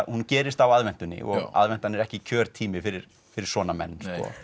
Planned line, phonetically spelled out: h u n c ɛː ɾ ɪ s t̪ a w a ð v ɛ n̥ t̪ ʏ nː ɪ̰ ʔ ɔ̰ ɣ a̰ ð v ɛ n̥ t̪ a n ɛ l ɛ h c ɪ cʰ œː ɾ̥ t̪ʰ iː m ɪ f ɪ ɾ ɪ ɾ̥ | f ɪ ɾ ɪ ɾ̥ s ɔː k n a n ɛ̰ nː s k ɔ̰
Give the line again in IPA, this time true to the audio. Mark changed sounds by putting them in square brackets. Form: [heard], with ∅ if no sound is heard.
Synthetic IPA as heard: h u n c ɛː ɾ ɪ s t̪ a w a ð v ɛ n̥ t̪ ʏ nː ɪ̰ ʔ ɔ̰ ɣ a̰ ð v ɛ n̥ t̪ a n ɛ [ɾ] ɛ h c ɪ cʰ œː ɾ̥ t̪ʰ iː m ɪ f ɪ ɾ ɪ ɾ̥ | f ɪ ɾ ɪ ɾ̥ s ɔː [∅] n a [m] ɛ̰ nː s k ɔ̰